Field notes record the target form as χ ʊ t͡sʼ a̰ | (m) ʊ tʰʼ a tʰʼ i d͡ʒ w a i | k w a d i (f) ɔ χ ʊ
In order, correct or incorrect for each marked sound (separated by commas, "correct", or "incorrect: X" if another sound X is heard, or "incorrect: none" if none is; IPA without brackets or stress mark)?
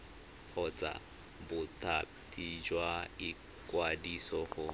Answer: incorrect: b, incorrect: s